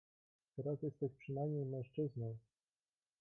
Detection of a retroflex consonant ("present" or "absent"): present